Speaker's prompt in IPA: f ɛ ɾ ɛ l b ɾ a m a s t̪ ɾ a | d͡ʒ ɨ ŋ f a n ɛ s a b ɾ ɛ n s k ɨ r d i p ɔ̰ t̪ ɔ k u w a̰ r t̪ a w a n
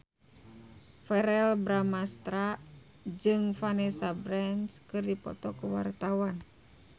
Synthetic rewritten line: f ɛ ɾ ɛ l b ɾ a m a s t̪ ɾ a | d͡ʒ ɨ ŋ f a n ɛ s a b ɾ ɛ n s k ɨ r d i p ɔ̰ t̪ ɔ k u w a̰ r t̪ a w a n